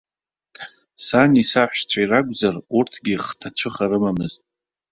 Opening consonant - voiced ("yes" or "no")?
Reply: no